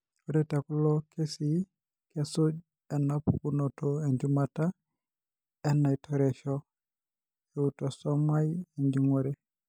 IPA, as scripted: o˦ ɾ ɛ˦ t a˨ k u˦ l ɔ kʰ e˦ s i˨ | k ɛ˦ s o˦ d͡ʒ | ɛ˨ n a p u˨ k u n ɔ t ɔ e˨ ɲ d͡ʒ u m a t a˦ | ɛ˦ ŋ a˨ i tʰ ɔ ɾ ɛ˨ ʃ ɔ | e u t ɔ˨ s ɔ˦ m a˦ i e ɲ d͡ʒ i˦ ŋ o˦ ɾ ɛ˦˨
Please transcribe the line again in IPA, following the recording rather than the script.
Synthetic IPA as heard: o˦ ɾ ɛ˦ t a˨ k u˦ l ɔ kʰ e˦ s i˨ | k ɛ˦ s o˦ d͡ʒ | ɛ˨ n a p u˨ k u n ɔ t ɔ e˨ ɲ d͡ʒ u m a t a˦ | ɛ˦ n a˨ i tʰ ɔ ɾ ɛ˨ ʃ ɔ | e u t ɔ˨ s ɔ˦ m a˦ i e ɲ d͡ʒ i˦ ŋ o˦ ɾ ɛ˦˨

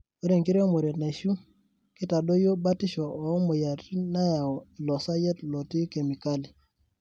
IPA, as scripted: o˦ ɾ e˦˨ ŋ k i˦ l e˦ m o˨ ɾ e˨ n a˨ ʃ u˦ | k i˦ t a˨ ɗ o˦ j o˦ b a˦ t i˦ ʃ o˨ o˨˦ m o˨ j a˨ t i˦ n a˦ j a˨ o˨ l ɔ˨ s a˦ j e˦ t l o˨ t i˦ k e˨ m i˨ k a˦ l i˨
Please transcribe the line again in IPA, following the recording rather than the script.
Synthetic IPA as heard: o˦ ɾ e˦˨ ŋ k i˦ ɾ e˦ m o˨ ɾ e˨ n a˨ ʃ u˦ | k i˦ t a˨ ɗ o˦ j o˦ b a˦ t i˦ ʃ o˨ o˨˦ m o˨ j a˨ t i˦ n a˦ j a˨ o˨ l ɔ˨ s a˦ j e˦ t l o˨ t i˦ k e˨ m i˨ k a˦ l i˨

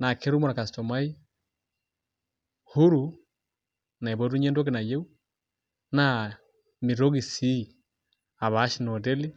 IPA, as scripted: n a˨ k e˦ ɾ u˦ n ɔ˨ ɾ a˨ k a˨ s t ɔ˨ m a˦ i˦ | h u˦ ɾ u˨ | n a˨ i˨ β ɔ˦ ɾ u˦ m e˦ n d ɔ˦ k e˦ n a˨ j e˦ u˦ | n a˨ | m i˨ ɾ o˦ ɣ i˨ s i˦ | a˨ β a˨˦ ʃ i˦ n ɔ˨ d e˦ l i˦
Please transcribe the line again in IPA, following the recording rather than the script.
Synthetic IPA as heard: n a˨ k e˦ ɾ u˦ m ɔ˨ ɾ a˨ k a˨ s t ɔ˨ m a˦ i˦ | h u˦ ɾ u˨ | n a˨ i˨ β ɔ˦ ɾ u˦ ɲ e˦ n d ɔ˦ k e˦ n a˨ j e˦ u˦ | n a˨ | m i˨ ɾ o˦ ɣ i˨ s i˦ | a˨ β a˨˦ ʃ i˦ n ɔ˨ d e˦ l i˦

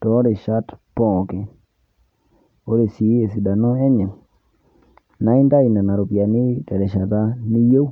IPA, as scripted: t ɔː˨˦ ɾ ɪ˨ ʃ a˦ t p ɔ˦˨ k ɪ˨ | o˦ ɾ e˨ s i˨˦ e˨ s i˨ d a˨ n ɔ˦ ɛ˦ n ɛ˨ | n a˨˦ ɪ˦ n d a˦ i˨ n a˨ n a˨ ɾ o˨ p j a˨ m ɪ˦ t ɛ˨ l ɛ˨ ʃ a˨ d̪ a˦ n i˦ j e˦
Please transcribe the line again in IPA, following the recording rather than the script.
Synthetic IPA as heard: t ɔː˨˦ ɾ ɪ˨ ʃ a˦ t p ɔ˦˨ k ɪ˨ | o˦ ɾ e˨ s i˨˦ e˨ s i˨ d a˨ n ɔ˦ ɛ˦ ɲ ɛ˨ | n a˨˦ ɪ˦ n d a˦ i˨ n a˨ n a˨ ɾ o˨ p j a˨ n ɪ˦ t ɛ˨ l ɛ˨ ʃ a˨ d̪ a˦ n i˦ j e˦

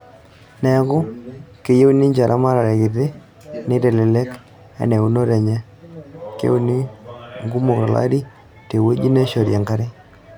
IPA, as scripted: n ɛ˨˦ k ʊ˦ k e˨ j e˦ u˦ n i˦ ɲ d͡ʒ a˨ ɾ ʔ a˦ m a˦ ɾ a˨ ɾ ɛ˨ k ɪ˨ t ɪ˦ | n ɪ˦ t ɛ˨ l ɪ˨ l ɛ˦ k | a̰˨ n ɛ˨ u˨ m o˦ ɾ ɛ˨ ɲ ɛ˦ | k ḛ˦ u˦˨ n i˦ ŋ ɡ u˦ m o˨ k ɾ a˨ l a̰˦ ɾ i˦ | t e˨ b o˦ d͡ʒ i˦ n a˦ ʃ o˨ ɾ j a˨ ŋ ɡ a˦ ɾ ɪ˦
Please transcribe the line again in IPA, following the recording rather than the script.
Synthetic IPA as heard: n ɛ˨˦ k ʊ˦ k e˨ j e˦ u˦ n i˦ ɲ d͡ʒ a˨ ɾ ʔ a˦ m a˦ ɾ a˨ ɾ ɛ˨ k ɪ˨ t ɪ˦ | n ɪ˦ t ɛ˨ l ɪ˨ l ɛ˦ k | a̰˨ n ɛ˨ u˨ n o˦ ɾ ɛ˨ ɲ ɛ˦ | k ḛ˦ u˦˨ n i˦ ŋ ɡ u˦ m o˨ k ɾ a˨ l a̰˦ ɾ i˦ | t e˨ w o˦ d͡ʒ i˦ n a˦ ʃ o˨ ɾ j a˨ ŋ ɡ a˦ ɾ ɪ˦

